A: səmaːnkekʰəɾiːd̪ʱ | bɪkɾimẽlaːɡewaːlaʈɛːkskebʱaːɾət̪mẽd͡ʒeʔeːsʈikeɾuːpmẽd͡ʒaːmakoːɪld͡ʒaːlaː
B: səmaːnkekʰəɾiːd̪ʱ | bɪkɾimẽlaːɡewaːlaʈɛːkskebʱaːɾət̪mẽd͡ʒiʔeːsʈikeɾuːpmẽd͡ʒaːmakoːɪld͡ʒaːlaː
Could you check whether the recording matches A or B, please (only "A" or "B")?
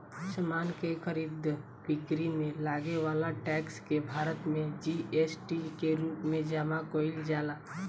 B